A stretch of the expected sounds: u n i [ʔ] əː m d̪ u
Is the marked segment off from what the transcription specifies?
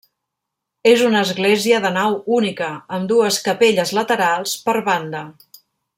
yes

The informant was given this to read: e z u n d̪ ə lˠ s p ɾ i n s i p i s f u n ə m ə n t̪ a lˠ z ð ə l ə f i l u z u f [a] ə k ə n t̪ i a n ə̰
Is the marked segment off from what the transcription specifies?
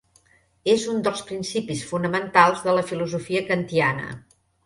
yes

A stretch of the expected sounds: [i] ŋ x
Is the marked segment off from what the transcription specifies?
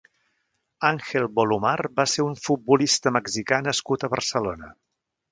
yes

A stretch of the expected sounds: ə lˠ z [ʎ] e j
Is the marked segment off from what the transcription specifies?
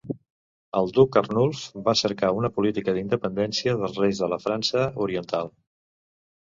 yes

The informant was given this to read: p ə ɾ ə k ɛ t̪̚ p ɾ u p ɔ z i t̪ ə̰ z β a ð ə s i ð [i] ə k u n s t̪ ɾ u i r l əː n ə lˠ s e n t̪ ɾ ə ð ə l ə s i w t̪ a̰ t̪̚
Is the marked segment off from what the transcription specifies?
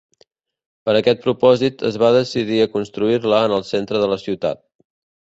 no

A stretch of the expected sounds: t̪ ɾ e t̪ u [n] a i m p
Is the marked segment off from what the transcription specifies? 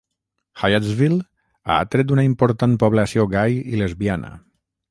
no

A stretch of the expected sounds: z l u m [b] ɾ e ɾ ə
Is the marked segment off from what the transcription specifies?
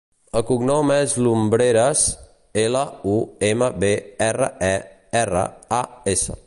no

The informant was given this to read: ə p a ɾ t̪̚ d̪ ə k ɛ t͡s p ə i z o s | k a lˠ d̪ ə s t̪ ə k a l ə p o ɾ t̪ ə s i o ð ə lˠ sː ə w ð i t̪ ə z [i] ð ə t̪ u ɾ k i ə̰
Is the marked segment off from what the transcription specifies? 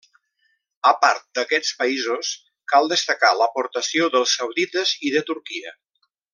no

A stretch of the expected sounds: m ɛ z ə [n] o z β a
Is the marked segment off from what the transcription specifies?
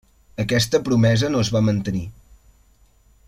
no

